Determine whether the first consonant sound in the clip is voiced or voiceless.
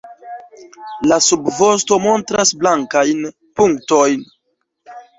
voiced